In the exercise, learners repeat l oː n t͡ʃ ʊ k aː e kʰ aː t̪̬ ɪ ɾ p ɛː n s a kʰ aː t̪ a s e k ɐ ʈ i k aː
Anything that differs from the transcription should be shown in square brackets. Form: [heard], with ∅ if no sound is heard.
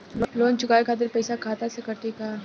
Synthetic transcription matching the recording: l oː n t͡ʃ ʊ k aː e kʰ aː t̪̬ ɪ ɾ p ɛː [∅] s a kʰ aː t̪ a s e k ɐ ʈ i k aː